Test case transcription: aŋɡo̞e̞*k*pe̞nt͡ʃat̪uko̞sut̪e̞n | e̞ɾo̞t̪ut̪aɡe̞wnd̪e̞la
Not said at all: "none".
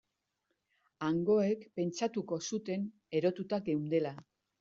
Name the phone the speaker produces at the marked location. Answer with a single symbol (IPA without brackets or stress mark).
k